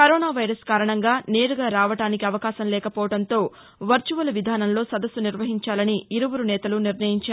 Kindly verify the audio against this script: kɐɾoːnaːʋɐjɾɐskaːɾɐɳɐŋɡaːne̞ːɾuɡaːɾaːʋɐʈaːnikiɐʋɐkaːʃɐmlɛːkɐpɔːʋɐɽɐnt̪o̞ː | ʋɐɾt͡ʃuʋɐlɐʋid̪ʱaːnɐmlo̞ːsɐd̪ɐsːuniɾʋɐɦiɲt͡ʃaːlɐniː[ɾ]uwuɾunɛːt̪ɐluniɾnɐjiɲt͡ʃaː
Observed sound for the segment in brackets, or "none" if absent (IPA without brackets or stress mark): ɾ